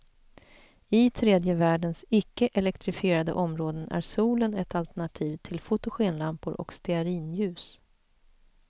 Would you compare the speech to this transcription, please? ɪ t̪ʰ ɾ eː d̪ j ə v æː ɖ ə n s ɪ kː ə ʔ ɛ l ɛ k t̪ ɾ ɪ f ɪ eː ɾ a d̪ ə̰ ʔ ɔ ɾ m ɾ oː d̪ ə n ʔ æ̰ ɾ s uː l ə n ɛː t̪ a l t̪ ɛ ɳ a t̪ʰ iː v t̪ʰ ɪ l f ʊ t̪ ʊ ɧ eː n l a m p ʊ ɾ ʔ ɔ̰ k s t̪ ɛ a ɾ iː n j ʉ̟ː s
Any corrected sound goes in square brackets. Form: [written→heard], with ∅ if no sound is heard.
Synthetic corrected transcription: ɪ t̪ʰ ɾ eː d̪ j ə v æː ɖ ə n s ɪ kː ə ʔ ɛ l ɛ k t̪ ɾ ɪ f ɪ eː ɾ a d̪ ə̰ ʔ ɔ [ɾ→∅] m ɾ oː d̪ ə n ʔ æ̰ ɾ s uː l ə n [ɛː→ɛ] t̪ a l t̪ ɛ ɳ a t̪ʰ iː v t̪ʰ ɪ l f ʊ t̪ ʊ ɧ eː n l a m p ʊ ɾ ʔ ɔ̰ k s t̪ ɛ a ɾ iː n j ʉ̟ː s